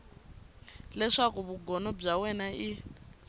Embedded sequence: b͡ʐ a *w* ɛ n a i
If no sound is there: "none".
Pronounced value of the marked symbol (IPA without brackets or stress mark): w